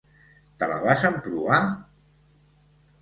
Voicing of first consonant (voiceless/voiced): voiceless